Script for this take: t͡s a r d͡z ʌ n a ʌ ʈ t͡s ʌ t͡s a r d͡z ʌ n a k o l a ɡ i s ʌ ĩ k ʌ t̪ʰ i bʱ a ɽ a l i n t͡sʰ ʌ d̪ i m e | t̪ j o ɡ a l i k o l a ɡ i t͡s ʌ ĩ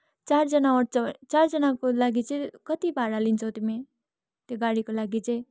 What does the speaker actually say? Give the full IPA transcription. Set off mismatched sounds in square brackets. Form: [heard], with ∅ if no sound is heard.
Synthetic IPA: t͡s a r d͡z ʌ n a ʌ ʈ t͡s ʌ t͡s a r d͡z ʌ n a k o l a ɡ i [t͡s] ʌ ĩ k ʌ [t̪] i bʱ a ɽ a l i n t͡sʰ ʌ [t̪] i m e | t̪ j o ɡ a [ɽ] i k o l a ɡ i t͡s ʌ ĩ